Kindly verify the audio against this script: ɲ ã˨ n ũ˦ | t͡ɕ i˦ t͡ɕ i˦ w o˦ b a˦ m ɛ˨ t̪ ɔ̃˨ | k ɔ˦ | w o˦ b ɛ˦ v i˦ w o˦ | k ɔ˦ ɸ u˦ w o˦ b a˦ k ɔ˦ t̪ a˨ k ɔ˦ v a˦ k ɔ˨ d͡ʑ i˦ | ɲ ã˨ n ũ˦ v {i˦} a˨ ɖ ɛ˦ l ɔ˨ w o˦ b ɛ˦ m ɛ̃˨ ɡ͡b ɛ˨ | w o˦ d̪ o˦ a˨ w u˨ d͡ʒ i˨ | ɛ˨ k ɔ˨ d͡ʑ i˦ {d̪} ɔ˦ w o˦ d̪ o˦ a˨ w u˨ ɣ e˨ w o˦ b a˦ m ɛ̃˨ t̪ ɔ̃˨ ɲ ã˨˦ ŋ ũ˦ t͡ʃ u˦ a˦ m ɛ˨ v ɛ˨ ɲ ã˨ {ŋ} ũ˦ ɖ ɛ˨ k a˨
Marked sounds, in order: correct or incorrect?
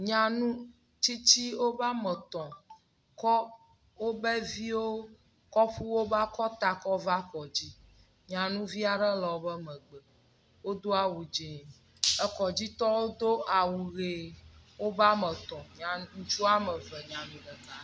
correct, incorrect: t̪, incorrect: n

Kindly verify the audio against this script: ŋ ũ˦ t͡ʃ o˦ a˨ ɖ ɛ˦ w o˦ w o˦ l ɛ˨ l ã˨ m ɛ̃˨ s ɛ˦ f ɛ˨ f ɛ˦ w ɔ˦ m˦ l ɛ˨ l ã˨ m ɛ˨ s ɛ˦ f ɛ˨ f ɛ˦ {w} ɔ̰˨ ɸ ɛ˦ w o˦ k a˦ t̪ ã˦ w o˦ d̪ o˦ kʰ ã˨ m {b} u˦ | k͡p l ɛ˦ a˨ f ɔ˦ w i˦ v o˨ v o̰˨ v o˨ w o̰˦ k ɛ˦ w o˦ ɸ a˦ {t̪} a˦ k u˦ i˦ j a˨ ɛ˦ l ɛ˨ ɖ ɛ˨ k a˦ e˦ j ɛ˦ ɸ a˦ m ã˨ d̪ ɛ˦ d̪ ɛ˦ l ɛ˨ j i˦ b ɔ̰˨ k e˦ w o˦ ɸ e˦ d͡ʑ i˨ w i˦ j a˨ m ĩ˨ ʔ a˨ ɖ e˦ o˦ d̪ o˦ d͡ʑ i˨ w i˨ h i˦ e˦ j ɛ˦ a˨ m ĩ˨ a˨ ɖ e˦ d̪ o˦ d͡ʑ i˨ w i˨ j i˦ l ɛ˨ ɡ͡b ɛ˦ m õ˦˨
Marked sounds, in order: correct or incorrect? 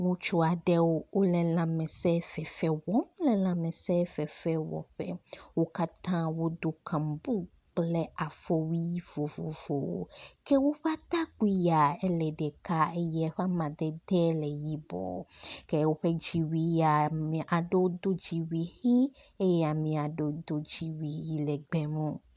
correct, correct, correct

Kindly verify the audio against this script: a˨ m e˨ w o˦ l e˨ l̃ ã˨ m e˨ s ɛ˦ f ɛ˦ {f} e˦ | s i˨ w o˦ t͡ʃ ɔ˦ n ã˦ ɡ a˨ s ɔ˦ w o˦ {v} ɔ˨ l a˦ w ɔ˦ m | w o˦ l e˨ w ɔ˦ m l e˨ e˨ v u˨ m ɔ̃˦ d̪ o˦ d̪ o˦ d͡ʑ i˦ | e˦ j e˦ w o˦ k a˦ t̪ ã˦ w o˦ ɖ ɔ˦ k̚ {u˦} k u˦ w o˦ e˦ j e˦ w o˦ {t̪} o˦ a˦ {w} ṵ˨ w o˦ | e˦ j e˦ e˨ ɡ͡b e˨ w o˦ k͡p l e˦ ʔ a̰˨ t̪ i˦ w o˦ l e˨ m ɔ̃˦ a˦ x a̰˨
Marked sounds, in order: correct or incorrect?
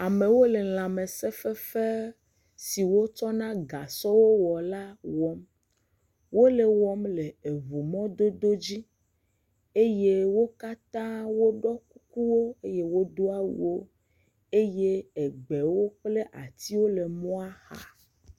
correct, incorrect: w, correct, incorrect: d̪, correct

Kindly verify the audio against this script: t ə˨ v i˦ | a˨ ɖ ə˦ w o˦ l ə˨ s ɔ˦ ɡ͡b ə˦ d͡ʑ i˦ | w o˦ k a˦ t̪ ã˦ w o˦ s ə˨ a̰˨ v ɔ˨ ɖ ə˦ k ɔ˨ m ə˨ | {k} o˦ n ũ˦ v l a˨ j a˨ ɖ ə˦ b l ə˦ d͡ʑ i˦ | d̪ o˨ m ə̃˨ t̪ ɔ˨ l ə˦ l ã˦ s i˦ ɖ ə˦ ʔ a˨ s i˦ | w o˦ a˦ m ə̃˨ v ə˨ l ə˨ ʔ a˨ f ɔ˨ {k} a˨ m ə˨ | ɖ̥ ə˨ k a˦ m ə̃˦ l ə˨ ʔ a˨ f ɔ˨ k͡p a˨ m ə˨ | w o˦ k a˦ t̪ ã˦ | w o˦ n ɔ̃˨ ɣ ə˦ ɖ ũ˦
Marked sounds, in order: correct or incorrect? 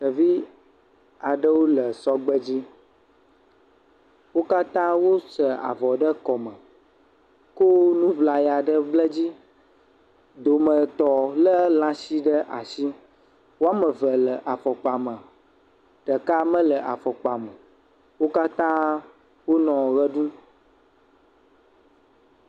correct, incorrect: k͡p

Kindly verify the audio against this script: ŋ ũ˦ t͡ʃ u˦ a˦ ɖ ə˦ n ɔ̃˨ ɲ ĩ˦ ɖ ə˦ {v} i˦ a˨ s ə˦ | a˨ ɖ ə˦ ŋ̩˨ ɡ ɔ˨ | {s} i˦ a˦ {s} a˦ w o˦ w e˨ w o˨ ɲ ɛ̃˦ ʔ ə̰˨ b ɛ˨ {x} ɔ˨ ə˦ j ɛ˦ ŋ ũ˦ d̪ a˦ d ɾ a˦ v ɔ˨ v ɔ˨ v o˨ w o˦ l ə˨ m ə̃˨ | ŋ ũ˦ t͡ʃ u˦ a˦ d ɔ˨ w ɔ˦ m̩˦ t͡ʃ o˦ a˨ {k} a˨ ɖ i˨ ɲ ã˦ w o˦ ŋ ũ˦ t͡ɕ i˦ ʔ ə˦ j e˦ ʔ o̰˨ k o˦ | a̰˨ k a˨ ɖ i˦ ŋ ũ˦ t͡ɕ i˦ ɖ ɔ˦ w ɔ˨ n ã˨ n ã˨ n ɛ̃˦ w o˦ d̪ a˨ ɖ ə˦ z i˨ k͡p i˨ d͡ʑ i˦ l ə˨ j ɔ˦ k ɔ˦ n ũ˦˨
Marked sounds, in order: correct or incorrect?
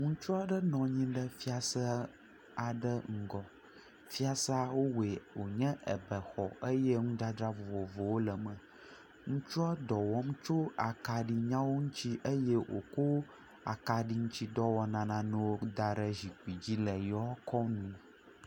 incorrect: f, incorrect: f, correct, correct, correct

